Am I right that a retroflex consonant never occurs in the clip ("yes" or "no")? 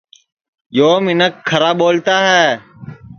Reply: yes